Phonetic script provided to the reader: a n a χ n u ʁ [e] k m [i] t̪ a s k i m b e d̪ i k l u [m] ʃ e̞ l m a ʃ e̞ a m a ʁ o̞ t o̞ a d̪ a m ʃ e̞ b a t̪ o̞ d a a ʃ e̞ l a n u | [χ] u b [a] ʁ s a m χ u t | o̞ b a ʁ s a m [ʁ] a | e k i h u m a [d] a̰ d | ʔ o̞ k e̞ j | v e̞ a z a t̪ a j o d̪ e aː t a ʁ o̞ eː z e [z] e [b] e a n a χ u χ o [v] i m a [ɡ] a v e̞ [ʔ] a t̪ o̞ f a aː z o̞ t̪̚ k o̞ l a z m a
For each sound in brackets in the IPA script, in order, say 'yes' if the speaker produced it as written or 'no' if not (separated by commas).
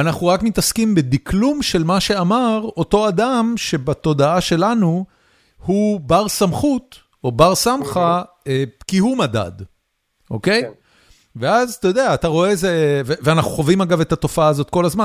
no, yes, yes, no, yes, no, yes, no, no, yes, yes, no